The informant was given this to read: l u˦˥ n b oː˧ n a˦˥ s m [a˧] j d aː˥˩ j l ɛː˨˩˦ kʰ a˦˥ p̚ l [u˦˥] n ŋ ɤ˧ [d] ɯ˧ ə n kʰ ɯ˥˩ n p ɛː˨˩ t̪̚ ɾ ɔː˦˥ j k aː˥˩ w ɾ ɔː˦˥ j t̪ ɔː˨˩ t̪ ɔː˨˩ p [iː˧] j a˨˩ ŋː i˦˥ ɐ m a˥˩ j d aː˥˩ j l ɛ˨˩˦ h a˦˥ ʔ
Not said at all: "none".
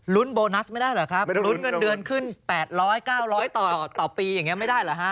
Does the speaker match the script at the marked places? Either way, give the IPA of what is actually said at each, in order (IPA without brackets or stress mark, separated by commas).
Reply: a˥˩, u˦˥, d, iː˧